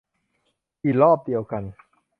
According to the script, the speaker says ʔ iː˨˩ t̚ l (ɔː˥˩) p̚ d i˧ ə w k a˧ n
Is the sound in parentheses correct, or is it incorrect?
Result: correct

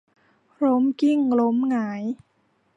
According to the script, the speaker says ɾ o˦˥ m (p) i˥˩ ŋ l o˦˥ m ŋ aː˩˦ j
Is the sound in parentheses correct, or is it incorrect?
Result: incorrect: k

